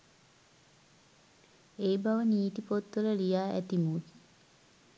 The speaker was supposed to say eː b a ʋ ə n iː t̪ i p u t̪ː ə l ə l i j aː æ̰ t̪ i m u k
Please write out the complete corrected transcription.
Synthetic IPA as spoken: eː b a ʋ ə n iː t̪ i p o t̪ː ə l ə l i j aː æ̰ t̪ i m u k